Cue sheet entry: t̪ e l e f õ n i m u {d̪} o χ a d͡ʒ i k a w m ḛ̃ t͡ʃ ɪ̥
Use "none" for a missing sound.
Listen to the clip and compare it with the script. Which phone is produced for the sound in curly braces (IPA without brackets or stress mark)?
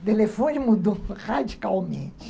d̪